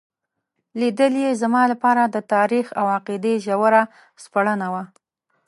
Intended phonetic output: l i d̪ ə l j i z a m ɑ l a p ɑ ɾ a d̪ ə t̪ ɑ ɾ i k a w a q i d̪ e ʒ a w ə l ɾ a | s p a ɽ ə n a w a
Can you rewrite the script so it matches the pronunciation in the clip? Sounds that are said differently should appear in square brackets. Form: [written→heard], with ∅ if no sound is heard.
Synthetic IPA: l i d̪ ə l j [i→e] z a m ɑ l a p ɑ ɾ a d̪ ə t̪ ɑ ɾ i [k→x] a w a q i d̪ e ʒ a w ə [l→∅] ɾ a | s p a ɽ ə n a w a